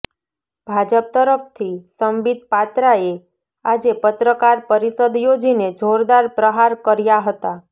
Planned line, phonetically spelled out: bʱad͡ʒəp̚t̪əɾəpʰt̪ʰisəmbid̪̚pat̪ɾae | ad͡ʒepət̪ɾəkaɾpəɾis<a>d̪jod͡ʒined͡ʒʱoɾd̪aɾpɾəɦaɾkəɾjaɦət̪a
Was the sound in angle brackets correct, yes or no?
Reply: no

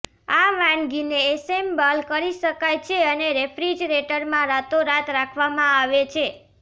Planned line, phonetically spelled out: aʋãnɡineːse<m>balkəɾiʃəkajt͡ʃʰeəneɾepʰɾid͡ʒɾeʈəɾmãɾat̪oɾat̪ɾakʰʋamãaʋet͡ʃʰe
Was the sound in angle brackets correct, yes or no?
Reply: yes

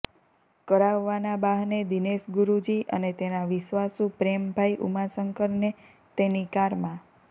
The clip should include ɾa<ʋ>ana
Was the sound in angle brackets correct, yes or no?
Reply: no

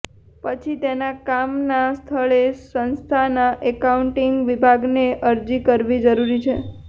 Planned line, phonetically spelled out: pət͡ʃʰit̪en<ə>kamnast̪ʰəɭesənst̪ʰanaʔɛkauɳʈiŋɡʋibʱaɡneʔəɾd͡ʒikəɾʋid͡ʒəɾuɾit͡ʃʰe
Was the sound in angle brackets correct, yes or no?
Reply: no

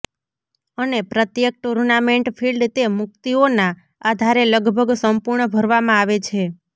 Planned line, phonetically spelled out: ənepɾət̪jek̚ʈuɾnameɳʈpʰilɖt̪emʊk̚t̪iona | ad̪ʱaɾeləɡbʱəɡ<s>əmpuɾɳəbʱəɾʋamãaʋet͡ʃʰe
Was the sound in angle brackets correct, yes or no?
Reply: yes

